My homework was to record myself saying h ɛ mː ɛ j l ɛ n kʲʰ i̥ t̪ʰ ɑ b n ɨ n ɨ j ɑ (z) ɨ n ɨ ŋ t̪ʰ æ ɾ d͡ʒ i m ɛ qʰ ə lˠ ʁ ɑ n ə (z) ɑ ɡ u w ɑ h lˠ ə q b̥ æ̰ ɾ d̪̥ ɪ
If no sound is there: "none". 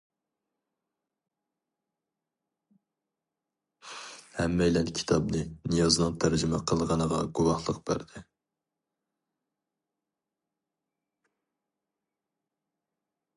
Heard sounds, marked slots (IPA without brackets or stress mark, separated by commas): z, ʁ